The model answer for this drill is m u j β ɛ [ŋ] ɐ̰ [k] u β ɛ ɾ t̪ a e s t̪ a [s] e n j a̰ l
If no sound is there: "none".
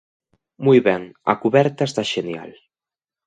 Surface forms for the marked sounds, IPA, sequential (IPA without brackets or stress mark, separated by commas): ŋ, k, ʃ